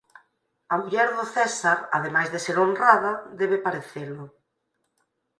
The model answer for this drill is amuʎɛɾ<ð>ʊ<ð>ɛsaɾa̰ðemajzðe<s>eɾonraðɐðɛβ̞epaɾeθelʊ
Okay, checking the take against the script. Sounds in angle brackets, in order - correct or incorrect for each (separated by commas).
correct, incorrect, correct